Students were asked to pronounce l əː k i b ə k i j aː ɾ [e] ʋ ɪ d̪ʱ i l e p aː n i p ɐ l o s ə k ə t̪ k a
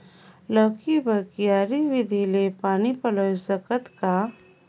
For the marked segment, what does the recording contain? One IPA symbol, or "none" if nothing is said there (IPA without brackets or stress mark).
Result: i